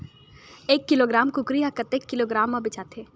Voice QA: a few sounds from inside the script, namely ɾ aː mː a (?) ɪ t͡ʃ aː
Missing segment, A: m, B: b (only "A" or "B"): B